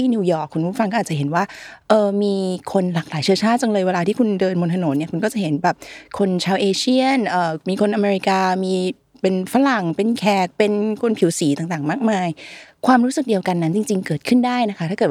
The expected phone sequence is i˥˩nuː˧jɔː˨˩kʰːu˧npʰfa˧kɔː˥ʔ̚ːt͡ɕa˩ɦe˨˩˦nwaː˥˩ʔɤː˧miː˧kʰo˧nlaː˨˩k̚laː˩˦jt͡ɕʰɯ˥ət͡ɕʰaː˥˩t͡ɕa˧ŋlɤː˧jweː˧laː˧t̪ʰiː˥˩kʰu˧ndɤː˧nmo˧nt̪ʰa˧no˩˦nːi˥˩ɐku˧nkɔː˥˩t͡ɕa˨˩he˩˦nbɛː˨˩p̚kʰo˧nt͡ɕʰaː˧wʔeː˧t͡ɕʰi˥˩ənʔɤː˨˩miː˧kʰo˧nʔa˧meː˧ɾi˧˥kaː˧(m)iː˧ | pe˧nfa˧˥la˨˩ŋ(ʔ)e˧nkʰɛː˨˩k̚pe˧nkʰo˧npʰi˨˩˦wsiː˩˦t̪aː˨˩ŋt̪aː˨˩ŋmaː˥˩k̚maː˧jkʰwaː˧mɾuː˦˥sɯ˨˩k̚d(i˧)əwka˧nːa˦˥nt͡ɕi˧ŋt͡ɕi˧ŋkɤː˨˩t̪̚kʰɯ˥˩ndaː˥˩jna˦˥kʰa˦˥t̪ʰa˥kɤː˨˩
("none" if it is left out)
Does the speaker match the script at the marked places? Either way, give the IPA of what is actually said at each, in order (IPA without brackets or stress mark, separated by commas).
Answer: m, p, i˧